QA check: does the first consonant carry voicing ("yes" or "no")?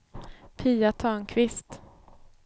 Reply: no